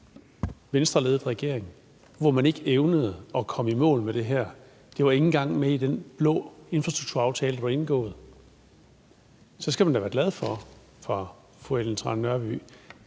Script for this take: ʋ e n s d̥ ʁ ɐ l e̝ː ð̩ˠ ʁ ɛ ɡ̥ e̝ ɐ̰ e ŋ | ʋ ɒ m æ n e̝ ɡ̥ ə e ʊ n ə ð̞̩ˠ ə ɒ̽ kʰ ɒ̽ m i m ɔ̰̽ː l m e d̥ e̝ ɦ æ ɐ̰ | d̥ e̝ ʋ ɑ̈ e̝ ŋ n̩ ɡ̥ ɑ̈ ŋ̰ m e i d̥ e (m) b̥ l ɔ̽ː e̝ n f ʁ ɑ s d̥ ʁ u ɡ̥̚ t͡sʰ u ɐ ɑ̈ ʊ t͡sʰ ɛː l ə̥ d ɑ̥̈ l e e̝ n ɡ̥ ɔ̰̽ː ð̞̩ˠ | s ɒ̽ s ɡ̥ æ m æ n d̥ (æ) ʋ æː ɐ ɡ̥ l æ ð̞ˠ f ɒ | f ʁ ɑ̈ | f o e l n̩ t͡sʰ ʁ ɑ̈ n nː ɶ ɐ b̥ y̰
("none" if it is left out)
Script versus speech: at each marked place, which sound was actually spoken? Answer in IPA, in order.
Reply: n, æ

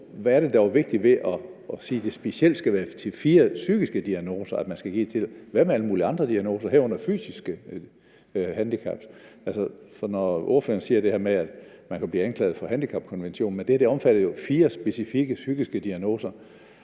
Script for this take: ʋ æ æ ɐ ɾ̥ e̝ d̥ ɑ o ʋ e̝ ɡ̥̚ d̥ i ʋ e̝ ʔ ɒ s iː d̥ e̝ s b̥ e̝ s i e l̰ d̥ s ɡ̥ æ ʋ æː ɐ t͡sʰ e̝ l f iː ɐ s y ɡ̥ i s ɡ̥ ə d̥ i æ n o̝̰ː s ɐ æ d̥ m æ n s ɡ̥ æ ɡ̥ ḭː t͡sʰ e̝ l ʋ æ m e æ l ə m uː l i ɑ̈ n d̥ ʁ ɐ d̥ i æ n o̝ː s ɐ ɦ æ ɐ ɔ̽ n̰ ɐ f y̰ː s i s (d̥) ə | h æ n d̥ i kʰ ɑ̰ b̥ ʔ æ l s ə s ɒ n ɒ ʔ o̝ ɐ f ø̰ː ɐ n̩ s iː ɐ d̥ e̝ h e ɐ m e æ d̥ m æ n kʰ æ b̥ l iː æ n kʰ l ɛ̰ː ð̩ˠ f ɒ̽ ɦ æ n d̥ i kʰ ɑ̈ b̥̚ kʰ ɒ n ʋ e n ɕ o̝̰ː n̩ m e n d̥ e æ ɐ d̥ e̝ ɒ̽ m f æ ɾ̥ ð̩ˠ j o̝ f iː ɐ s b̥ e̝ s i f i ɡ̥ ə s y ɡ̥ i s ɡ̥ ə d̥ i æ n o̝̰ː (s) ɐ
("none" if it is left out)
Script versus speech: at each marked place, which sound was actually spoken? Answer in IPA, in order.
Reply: ɡ̥, s

